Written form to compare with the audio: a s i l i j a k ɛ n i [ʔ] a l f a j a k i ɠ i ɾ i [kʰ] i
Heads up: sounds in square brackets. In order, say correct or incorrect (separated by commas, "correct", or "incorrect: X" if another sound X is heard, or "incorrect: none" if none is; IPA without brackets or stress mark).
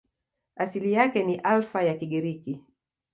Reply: correct, incorrect: k